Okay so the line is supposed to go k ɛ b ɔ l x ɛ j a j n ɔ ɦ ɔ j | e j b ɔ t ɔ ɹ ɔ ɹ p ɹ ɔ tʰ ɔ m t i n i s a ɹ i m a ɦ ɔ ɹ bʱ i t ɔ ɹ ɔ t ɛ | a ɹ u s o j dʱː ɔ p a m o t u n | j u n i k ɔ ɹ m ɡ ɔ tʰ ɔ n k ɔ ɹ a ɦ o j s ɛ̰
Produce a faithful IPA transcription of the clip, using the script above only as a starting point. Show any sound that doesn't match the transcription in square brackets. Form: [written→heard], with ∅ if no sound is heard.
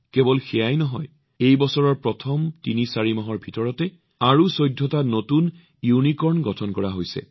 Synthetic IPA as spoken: k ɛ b ɔ l x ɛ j a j n ɔ ɦ ɔ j | e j b ɔ [t→s] ɔ ɹ ɔ ɹ p ɹ ɔ tʰ ɔ m t i n i s a ɹ i m a ɦ ɔ ɹ bʱ i t ɔ ɹ ɔ t ɛ | a ɹ u s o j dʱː ɔ [p→t] a [m→n] o t u n | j u n i k ɔ ɹ [m→n] ɡ ɔ tʰ ɔ n k ɔ ɹ a ɦ o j s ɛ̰